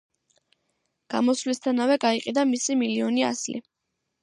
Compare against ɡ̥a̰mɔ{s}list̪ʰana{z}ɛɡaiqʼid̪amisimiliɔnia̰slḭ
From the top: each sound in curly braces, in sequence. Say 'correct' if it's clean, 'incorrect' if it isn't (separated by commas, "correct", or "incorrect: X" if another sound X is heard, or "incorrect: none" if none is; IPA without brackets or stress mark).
correct, incorrect: v